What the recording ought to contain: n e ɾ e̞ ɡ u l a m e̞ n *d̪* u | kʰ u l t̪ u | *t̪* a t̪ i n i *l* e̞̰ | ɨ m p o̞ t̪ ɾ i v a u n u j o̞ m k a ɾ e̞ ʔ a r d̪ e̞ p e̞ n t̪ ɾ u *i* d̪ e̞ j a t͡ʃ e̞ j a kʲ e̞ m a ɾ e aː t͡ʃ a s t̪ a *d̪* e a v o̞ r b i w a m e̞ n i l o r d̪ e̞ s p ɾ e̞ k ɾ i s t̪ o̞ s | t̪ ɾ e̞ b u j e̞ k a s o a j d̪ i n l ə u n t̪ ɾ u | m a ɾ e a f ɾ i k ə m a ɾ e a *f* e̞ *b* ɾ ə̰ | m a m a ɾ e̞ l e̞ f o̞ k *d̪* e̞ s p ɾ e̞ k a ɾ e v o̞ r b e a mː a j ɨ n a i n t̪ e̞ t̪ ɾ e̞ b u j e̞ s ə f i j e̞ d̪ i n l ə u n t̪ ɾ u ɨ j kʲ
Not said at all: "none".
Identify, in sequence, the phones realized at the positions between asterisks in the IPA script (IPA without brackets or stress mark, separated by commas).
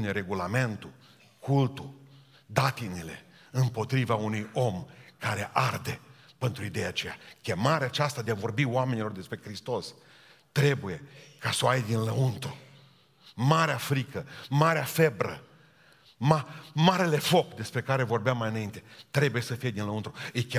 t̪, d̪, l, i, d̪, f, b, d̪